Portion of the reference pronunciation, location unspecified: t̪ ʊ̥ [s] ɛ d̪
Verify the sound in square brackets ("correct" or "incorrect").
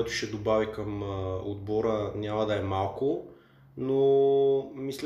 incorrect